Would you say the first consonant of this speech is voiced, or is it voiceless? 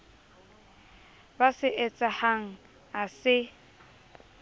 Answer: voiced